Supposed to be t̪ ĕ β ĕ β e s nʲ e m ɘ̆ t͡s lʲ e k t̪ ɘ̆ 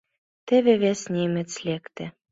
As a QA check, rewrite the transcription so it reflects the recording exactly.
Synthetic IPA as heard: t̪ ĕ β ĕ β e s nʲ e m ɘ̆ t͡s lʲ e k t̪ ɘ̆